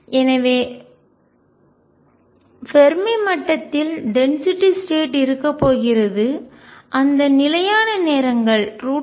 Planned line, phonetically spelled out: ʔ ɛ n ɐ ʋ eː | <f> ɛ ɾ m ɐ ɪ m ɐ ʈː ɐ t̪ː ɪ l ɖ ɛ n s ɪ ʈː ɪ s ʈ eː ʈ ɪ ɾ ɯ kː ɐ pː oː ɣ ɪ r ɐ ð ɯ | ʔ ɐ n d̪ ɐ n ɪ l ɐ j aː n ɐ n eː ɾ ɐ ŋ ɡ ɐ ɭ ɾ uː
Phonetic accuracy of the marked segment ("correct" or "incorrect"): correct